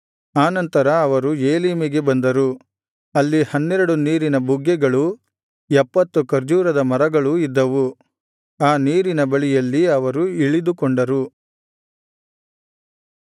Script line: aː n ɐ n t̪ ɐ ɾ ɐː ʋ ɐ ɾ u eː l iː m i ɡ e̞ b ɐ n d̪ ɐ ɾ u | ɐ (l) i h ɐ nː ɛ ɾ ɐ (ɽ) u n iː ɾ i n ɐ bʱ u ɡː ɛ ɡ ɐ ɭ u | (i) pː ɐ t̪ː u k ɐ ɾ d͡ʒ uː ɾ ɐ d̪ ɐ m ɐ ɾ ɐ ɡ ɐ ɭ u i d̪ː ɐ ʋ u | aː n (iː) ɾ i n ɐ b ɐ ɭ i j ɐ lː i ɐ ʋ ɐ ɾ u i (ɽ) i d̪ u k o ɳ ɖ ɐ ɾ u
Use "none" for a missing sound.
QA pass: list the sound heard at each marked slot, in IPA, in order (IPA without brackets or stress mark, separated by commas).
lː, ɽ, ɛ, iː, ɭ